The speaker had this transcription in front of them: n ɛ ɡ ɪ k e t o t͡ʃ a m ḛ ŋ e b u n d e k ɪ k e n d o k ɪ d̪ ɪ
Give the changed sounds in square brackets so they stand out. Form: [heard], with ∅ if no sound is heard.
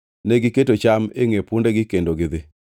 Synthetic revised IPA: n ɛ ɡ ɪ k e t o t͡ʃ a m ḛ ŋ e [p] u n d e [ɡ] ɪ k e n d o [ɡ] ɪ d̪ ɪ